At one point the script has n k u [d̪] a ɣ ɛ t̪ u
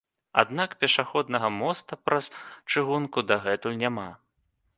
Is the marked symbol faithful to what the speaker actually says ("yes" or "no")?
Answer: yes